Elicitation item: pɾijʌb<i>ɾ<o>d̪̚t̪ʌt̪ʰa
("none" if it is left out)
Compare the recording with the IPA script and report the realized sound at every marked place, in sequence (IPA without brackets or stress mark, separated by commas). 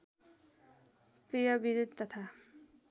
i, u